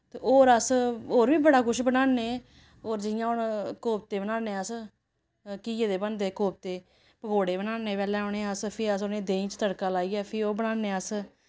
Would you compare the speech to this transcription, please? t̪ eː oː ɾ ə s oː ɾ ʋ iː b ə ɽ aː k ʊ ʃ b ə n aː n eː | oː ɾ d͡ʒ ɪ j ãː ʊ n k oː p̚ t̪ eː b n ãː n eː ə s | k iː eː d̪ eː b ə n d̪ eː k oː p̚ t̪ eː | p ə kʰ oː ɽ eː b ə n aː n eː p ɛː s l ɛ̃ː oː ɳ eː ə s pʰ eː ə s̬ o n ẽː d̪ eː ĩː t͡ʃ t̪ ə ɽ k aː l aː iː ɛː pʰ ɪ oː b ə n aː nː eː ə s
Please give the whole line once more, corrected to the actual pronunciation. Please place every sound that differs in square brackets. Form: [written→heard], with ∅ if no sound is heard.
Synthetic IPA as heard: t̪ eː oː ɾ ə s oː ɾ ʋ iː b ə ɽ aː k ʊ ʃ b ə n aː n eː | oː ɾ d͡ʒ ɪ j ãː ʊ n k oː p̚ t̪ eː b n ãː n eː ə s | k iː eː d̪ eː b ə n d̪ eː k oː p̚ t̪ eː | p ə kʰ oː ɽ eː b ə n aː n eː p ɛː [s→∅] l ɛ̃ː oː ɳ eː ə s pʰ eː ə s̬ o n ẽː d̪ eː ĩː t͡ʃ t̪ ə ɽ k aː l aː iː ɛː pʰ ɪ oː b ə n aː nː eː ə s